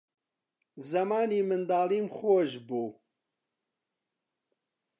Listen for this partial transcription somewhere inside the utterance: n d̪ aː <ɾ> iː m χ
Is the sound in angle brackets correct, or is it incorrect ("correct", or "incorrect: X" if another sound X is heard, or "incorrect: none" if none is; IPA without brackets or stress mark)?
incorrect: l